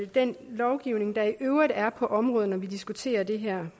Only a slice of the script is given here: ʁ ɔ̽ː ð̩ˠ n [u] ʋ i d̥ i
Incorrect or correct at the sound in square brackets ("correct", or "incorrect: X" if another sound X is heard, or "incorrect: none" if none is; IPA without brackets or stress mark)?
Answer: incorrect: ɒ